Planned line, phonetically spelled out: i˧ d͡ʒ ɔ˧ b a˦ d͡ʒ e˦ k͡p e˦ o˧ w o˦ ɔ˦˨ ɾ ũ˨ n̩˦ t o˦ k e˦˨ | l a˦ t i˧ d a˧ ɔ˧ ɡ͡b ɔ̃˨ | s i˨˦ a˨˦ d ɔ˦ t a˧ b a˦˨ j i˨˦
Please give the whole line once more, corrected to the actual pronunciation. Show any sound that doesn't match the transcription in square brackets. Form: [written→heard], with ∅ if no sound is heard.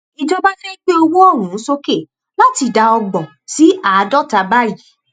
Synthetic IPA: i˧ d͡ʒ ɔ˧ b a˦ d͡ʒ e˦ k͡p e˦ o˧ w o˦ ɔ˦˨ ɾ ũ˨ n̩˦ [t→s] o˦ k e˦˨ | l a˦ t i˧ d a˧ ɔ˧ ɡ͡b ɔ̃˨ | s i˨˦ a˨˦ d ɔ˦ t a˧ b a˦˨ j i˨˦